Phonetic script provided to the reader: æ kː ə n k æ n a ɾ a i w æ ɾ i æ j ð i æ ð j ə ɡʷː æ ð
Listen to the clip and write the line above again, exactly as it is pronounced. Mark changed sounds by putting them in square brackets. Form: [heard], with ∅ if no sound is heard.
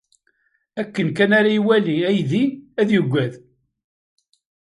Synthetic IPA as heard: æ kː ə n k æ n a ɾ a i w æ [l] i æ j ð i æ ð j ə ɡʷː æ ð